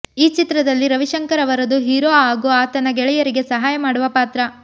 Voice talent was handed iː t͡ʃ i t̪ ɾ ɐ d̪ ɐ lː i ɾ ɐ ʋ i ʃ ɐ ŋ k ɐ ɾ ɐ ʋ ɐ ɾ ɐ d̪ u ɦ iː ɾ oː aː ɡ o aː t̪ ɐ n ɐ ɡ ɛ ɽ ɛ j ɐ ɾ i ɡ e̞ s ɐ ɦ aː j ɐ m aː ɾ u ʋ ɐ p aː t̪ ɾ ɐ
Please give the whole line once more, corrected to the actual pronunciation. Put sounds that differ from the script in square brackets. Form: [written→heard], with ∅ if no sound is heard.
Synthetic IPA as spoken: iː t͡ʃ i t̪ ɾ ɐ d̪ ɐ lː i ɾ ɐ ʋ i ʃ ɐ ŋ k ɐ ɾ ɐ ʋ ɐ ɾ ɐ d̪ u ɦ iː ɾ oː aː ɡ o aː t̪ ɐ n ɐ ɡ ɛ [ɽ→ɭ] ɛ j ɐ ɾ i ɡ e̞ s ɐ ɦ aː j ɐ m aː [ɾ→ɽ] u ʋ ɐ p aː t̪ ɾ ɐ